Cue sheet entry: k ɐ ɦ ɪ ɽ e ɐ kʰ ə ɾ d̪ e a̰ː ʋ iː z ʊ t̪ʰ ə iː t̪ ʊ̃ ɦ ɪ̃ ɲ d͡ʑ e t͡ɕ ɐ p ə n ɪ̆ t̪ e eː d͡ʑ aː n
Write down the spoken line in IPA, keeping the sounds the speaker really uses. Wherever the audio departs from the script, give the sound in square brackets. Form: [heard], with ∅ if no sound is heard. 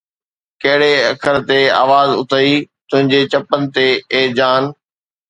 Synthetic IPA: k ɐ ɦ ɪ ɽ e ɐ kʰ ə ɾ [t̪] e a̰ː ʋ [aː] z ʊ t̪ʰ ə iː t̪ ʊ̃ ɦ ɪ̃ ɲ d͡ʑ e t͡ɕ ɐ p ə n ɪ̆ t̪ e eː d͡ʑ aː n